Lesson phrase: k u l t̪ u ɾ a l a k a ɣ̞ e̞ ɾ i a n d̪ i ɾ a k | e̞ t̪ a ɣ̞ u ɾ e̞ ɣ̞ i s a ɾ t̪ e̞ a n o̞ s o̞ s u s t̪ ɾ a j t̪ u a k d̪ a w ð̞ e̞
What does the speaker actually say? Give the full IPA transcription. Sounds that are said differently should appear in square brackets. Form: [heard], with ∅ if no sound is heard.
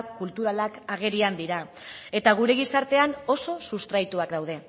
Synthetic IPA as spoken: k u l t̪ u ɾ a l a k a ɣ̞ e̞ ɾ i a n d̪ i ɾ a [∅] | e̞ t̪ a ɣ̞ u ɾ e̞ ɣ̞ i s a ɾ t̪ e̞ a n o̞ s o̞ s u s t̪ ɾ a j t̪ u a k d̪ a w ð̞ e̞